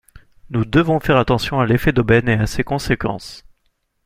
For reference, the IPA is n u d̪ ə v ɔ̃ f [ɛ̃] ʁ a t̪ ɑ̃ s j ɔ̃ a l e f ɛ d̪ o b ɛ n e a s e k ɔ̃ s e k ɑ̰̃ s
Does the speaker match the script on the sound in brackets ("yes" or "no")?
no